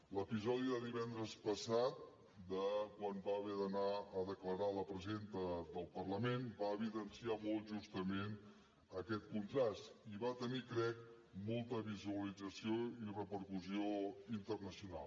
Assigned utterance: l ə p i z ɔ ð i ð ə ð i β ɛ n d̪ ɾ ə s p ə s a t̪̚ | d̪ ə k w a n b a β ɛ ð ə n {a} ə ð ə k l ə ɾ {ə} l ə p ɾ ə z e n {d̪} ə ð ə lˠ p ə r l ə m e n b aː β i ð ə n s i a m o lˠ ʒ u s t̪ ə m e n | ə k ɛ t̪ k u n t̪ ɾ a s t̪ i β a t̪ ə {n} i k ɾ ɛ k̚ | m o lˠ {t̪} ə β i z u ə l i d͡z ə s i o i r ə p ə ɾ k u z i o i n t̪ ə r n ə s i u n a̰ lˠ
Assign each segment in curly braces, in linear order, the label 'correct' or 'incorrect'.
correct, incorrect: a, incorrect: t̪, correct, correct

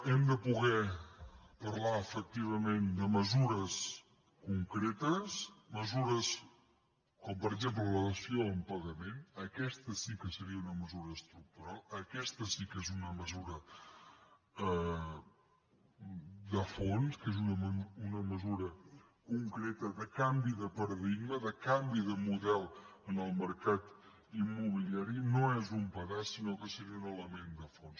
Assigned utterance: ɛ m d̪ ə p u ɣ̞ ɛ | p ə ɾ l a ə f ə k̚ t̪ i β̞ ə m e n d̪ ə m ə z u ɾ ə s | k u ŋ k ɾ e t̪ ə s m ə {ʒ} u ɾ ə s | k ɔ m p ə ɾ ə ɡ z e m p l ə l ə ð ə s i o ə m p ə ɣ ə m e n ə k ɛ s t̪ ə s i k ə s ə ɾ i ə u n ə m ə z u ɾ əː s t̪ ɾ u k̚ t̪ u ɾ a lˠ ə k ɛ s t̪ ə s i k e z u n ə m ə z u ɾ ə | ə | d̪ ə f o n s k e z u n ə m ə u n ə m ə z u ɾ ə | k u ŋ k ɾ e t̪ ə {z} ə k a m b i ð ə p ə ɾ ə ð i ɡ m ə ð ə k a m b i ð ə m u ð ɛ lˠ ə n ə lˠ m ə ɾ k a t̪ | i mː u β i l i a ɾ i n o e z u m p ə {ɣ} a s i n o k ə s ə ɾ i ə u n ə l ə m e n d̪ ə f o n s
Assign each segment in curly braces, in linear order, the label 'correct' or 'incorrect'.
incorrect: z, incorrect: ð, correct

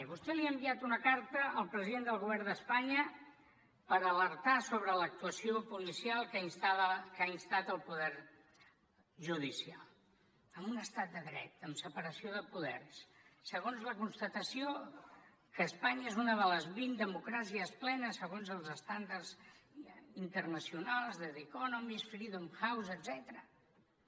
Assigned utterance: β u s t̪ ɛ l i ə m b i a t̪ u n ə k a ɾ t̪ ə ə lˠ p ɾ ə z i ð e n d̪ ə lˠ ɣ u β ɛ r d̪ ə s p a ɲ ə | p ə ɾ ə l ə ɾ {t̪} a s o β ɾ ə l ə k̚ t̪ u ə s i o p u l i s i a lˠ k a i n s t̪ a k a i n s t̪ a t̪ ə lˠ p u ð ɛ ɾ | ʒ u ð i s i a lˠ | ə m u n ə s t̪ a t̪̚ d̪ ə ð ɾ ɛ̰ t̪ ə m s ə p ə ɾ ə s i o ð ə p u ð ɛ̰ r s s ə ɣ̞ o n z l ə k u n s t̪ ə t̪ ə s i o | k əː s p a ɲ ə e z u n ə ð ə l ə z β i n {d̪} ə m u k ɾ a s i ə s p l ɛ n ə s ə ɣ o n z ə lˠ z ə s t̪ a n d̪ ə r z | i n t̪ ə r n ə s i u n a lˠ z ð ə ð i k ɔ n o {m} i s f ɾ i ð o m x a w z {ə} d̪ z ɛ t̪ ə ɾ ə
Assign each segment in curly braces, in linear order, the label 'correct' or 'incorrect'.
correct, correct, correct, correct

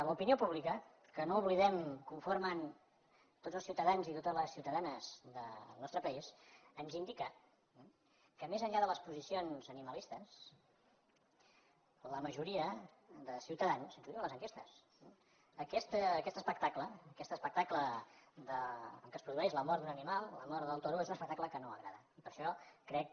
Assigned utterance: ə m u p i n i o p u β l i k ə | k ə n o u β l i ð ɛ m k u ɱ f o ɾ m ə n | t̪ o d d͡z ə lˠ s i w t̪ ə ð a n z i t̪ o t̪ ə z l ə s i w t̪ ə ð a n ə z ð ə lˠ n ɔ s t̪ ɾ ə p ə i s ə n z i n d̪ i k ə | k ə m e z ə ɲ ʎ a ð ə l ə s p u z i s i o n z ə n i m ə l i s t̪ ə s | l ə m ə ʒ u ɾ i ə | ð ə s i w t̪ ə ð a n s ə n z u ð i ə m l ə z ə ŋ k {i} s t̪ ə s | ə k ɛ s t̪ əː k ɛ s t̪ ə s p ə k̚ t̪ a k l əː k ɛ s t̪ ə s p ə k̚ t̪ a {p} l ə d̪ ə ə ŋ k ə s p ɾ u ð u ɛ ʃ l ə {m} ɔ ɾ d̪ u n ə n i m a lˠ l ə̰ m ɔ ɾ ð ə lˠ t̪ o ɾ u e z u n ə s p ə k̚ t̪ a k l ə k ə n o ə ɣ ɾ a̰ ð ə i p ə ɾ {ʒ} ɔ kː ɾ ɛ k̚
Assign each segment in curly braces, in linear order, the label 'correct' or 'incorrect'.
incorrect: e, incorrect: k, correct, incorrect: ʃ

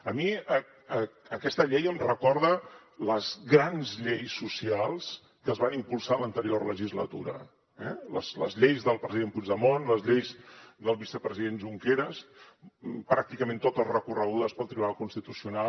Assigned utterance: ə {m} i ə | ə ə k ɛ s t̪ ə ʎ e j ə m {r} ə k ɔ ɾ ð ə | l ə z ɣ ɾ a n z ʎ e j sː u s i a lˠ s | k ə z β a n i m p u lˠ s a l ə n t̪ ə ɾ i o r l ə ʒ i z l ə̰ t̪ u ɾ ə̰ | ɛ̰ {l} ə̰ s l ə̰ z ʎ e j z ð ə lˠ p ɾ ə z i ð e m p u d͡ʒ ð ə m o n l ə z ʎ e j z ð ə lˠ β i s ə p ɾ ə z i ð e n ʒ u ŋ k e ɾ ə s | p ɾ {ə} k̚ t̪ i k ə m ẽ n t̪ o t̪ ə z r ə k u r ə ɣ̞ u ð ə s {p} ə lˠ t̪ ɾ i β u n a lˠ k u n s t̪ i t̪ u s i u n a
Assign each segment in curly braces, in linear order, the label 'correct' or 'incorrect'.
correct, correct, correct, incorrect: a, correct

